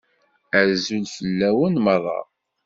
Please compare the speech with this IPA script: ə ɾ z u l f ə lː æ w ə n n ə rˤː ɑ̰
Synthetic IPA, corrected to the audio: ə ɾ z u l f ə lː æ w ə n m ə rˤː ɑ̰